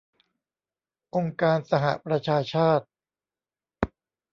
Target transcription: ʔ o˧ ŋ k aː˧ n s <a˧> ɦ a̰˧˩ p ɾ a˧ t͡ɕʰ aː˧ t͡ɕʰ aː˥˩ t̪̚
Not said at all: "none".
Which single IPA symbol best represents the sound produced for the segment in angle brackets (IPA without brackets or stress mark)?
a˧